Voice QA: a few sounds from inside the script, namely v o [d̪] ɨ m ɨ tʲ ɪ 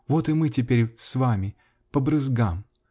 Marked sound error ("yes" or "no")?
yes